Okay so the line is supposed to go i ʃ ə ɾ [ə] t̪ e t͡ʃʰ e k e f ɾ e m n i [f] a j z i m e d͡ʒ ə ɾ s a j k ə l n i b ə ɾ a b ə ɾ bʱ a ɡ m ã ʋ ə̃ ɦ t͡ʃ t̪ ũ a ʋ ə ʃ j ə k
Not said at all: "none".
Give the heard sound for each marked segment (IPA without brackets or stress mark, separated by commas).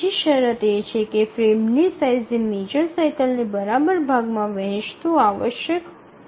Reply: ə, s